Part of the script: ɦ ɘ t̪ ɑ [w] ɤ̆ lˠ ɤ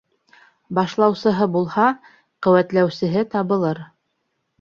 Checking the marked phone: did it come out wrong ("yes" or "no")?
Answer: yes